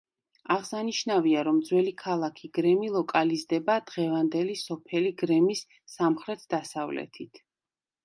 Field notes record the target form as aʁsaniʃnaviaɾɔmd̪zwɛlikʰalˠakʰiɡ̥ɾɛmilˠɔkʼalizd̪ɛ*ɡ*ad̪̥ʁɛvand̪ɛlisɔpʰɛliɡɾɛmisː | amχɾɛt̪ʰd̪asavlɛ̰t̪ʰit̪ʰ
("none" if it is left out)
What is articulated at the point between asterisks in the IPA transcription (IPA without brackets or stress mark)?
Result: b